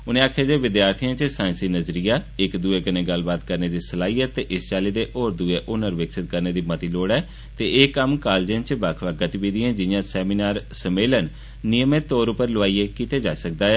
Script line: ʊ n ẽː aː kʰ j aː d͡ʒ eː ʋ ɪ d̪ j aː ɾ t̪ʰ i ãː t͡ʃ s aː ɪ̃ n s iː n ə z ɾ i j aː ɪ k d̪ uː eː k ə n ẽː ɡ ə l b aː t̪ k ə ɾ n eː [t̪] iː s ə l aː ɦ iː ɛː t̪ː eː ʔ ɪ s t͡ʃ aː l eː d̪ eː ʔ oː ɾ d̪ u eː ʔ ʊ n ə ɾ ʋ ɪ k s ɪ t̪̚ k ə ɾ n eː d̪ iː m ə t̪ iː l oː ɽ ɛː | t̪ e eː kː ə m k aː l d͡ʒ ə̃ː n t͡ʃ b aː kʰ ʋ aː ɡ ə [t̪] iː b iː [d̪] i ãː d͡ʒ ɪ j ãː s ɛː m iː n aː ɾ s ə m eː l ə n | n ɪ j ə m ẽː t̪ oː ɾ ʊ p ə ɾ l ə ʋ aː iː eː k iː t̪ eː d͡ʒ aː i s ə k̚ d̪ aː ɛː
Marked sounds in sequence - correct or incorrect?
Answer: incorrect: d̪, correct, correct

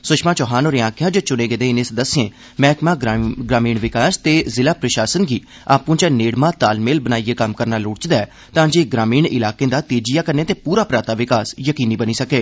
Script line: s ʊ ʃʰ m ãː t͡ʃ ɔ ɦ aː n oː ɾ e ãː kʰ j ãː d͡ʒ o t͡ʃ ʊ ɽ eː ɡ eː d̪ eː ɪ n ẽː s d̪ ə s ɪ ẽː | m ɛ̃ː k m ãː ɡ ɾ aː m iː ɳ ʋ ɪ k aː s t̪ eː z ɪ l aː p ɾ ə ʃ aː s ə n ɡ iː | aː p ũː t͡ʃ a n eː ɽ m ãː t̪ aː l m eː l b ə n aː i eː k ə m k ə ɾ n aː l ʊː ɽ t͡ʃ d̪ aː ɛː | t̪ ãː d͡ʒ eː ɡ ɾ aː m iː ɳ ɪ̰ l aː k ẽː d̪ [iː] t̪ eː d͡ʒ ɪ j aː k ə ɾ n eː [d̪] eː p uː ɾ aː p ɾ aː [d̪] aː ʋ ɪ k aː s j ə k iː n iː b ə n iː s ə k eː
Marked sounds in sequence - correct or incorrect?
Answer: incorrect: aː, incorrect: t̪, incorrect: t̪

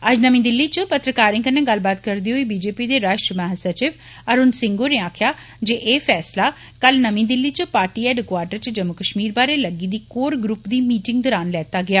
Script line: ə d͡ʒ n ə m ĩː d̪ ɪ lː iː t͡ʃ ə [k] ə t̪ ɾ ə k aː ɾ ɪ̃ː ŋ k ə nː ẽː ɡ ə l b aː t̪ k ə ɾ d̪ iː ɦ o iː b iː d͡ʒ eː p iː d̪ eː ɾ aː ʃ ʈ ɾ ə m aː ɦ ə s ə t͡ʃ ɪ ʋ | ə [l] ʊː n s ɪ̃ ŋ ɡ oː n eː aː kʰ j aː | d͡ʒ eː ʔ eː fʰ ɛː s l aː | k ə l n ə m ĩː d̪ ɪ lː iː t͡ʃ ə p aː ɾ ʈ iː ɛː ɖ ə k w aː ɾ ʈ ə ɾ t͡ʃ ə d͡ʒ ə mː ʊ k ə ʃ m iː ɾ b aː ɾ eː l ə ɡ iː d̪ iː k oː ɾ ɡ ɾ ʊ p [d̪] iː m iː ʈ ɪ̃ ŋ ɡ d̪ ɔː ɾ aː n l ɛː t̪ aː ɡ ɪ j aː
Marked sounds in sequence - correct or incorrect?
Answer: incorrect: p, incorrect: ɾ, correct

